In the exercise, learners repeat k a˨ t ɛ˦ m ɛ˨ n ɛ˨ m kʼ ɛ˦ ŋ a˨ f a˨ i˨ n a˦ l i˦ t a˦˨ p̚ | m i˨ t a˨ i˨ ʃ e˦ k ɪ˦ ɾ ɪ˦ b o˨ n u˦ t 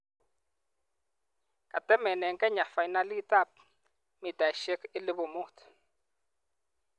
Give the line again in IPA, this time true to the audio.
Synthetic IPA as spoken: k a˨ t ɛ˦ m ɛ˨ n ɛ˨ ŋ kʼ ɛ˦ ɲ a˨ f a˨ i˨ n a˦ l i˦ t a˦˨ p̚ | m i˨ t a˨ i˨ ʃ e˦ k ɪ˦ l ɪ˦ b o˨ m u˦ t